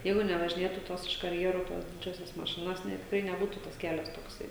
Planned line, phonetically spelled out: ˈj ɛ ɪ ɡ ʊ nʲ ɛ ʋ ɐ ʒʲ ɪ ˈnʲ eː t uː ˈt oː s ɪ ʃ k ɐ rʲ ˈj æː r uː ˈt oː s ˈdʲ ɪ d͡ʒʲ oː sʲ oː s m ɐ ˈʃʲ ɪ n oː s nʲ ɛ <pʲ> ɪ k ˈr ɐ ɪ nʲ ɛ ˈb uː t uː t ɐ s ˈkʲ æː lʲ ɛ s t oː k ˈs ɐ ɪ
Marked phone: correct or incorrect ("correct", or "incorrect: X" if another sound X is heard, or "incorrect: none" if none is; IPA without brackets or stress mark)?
incorrect: tʲ